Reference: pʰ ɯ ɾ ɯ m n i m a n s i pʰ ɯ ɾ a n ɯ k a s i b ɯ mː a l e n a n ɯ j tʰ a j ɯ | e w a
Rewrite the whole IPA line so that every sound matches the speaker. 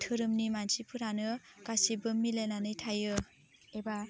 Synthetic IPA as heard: tʰ ɯ ɾ ɯ m n i m a n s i pʰ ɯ ɾ a n ɯ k a s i b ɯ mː i l e n a n ɯ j tʰ a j ɯ | e b a